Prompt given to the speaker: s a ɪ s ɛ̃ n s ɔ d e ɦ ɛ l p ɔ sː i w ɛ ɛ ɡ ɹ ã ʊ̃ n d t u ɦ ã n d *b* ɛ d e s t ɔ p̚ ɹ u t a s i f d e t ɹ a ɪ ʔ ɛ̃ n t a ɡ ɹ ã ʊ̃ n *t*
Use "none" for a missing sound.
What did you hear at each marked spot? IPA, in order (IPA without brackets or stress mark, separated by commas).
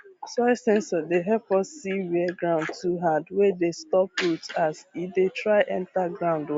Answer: w, d